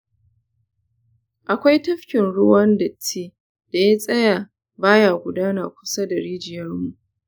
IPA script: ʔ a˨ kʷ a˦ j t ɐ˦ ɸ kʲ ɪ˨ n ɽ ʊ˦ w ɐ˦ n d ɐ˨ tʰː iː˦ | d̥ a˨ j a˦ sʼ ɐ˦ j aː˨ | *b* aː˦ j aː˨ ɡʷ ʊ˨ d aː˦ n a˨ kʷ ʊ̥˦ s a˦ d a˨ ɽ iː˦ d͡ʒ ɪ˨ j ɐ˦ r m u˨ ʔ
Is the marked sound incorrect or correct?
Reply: correct